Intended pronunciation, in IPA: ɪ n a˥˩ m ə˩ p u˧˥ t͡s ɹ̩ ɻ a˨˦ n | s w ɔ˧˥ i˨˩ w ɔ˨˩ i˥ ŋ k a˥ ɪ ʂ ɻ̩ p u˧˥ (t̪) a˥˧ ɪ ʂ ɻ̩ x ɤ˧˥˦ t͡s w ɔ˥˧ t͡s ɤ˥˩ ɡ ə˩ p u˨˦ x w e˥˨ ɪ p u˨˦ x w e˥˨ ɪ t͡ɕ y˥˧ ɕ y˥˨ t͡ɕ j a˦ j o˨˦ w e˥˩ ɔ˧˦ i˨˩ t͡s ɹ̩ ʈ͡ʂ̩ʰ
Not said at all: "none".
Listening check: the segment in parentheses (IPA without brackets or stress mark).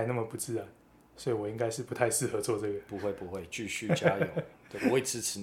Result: t̪ʰ